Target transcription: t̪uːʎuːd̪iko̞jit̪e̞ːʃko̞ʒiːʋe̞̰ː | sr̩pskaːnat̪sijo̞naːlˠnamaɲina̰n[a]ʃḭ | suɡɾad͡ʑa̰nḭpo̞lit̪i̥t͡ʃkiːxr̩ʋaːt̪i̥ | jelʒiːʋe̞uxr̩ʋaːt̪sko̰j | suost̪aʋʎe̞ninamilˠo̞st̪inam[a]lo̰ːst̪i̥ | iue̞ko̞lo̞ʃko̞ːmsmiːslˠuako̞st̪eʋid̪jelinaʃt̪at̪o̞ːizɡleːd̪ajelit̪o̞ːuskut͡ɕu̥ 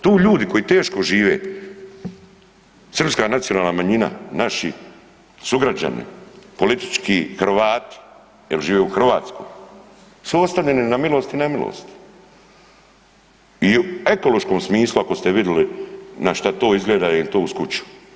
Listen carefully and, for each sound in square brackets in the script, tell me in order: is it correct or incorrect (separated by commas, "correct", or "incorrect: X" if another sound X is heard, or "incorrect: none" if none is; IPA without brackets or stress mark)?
correct, incorrect: i